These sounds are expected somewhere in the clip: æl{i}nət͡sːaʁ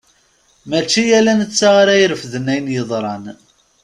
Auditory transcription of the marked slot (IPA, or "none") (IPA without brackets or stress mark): æ